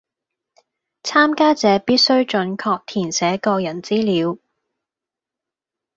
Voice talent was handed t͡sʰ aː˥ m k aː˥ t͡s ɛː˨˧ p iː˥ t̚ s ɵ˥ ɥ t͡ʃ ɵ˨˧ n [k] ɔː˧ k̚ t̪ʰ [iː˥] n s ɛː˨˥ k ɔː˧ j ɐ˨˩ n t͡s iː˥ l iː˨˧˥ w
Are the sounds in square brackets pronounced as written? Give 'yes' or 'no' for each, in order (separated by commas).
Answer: no, no